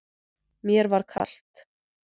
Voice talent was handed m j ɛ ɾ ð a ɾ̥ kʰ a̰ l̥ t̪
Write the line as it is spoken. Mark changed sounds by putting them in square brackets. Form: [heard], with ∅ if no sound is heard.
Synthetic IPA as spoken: m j ɛ ɾ [v] a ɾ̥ kʰ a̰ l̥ t̪